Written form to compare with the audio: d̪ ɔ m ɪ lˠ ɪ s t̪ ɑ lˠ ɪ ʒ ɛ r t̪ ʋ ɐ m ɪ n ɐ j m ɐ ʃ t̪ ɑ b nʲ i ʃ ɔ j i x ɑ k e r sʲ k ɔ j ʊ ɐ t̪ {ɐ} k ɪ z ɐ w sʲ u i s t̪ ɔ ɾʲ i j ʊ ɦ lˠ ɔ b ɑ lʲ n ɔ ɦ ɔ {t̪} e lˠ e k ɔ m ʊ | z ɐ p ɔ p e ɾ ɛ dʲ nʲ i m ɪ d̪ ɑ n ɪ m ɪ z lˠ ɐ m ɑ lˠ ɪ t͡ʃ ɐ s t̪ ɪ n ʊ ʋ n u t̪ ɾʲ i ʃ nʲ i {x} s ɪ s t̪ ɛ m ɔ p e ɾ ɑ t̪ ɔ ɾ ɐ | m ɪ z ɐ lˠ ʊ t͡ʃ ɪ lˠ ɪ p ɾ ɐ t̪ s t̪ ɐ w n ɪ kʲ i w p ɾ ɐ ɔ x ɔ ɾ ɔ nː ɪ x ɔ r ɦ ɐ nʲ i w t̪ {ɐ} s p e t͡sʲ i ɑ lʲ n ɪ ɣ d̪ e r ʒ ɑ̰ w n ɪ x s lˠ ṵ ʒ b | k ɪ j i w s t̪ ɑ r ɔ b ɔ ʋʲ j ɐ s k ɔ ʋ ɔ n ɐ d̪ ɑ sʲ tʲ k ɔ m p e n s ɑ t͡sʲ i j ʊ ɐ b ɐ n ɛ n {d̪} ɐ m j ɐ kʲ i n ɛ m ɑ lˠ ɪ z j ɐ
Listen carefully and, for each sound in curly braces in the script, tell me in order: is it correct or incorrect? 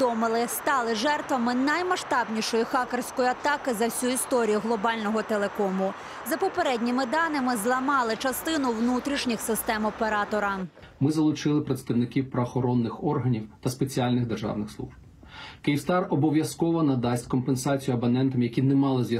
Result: incorrect: ɑ, correct, correct, correct, incorrect: t̪

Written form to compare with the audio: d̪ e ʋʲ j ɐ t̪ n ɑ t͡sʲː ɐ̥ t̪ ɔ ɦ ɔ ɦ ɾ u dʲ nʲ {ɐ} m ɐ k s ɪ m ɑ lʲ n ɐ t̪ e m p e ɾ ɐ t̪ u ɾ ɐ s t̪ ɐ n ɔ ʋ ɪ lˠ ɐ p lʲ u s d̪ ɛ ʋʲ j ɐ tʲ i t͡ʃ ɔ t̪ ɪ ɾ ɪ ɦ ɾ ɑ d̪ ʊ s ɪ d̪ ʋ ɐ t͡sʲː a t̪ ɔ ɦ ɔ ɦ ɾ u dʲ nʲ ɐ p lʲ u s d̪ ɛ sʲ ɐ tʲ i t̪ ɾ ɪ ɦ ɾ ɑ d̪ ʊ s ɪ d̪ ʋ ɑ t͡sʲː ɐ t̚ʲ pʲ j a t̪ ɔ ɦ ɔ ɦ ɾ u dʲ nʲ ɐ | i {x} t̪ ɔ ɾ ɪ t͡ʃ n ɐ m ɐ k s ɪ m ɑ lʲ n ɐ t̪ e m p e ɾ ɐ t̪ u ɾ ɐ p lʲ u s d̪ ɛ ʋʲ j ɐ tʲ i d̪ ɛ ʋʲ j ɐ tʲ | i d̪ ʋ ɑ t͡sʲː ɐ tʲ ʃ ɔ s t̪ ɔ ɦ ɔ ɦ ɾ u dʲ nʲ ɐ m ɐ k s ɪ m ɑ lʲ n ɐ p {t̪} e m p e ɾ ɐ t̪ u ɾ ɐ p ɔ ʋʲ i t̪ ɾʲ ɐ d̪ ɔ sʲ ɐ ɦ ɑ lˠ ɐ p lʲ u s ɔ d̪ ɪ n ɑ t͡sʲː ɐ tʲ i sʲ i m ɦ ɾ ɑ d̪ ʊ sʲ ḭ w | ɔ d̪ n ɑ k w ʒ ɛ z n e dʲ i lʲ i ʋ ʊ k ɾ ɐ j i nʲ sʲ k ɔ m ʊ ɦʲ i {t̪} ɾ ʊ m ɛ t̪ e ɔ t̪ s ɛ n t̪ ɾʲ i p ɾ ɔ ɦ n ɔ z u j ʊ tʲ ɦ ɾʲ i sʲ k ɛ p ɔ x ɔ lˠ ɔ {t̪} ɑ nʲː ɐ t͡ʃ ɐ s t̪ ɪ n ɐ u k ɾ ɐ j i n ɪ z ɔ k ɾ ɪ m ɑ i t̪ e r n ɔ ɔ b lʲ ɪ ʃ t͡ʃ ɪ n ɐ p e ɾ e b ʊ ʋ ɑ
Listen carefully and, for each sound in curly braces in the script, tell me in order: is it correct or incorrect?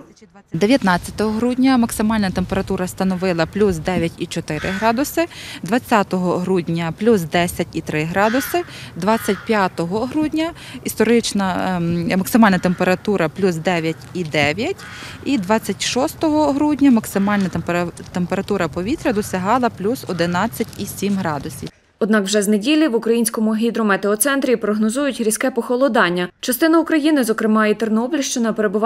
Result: correct, incorrect: s, correct, incorrect: d̪, incorrect: d̪

